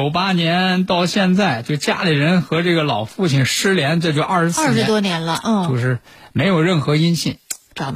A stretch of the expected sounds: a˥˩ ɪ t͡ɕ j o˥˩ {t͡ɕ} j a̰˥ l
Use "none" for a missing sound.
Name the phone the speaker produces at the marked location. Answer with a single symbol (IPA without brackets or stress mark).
t͡ɕ